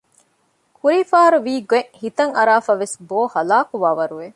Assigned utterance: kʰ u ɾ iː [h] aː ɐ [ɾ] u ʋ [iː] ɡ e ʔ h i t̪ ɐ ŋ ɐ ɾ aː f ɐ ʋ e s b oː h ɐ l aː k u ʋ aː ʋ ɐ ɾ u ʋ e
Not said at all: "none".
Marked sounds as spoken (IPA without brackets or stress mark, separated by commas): f, ɾ, iː